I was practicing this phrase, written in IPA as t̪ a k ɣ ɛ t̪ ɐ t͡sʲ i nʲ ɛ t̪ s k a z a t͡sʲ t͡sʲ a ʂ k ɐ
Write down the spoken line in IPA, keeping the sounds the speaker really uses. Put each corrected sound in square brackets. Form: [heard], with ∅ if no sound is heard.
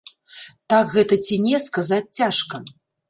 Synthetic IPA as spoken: t̪ a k ɣ ɛ t̪ ɐ t͡sʲ i nʲ ɛ [∅] s k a z a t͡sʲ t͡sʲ a ʂ k ɐ